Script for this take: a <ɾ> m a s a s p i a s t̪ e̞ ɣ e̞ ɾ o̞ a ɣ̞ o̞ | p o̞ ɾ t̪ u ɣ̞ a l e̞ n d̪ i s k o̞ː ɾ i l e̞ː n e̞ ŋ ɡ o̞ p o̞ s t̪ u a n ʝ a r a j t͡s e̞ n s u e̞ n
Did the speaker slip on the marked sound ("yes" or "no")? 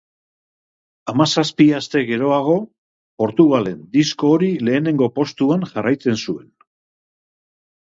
yes